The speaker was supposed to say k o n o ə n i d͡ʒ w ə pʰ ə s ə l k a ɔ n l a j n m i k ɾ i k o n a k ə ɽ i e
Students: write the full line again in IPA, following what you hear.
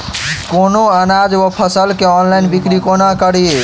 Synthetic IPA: k o n o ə n a d͡ʒ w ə pʰ ə s ə l k e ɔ n l a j n b i k ɾ i k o n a k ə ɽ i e